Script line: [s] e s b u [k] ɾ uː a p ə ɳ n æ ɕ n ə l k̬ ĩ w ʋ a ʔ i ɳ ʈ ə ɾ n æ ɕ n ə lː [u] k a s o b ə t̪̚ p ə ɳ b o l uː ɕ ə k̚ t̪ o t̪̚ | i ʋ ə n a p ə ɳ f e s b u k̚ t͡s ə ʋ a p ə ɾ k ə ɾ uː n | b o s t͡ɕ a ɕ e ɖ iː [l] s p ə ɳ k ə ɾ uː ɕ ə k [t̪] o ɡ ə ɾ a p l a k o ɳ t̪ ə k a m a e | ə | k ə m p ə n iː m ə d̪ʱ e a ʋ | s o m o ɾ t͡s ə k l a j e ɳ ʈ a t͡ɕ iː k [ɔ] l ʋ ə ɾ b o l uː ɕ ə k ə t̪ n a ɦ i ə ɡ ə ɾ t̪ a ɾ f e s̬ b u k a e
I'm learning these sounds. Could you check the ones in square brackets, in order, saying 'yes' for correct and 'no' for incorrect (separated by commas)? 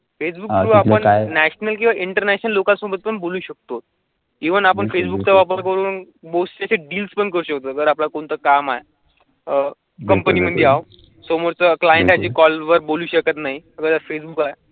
no, yes, no, yes, yes, yes